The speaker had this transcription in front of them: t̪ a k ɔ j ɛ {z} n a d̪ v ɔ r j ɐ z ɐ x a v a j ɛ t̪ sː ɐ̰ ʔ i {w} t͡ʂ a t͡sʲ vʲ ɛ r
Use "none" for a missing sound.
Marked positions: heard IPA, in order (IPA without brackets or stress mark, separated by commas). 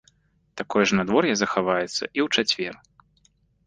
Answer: ʐ, w